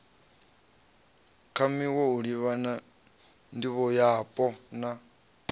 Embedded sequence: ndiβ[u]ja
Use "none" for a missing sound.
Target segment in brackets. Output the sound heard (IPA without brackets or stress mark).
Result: ɔ